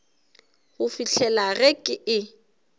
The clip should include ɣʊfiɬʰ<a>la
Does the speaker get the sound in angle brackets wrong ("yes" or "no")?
yes